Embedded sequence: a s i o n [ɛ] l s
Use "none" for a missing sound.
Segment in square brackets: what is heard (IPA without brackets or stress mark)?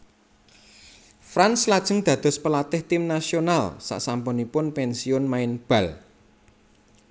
a